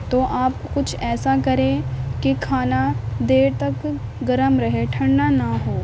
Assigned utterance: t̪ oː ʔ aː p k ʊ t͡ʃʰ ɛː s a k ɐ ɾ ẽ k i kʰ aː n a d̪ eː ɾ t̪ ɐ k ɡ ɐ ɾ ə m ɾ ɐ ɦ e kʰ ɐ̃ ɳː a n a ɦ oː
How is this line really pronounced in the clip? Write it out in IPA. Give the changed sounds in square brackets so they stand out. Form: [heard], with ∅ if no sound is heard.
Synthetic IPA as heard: t̪ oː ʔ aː p k ʊ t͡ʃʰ ɛː s a k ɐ ɾ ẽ k i kʰ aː n a d̪ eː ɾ t̪ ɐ k ɡ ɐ ɾ ə m ɾ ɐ ɦ e [ʈʰ] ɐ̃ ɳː a n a ɦ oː